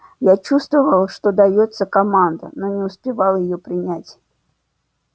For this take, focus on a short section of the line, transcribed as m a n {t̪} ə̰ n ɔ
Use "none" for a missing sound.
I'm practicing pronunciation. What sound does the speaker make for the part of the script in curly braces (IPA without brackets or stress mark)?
d̪